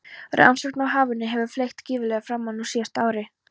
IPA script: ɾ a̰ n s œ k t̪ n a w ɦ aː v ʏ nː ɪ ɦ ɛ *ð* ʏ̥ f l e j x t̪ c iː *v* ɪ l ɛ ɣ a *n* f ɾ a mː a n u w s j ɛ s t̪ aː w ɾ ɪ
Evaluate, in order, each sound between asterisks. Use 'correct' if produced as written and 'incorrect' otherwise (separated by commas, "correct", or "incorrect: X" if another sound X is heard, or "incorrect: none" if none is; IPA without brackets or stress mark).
incorrect: v, correct, incorrect: none